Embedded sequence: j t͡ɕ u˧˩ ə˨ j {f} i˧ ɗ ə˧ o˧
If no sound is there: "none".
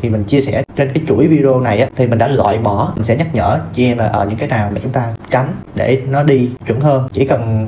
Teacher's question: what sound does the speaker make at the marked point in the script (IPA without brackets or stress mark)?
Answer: v